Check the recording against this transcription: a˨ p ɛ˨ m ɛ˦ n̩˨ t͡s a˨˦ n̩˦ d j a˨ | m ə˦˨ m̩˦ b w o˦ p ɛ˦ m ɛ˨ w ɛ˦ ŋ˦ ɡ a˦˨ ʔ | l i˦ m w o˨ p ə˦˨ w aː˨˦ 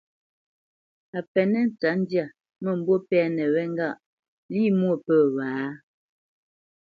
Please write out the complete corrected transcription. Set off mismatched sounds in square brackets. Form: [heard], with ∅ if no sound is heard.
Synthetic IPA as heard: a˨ p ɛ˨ [n] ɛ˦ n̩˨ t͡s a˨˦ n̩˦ d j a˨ | m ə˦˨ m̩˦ b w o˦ p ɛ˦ [n] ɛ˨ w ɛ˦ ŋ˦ ɡ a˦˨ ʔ | l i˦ m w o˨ p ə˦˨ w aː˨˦